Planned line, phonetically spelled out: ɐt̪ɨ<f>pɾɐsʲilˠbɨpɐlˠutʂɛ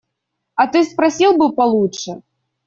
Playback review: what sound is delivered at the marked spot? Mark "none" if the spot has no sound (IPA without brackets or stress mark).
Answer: s